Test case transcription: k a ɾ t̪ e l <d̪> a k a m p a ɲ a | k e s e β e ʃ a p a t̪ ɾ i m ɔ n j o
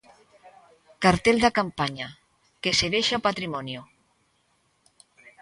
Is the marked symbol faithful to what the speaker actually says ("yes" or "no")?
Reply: yes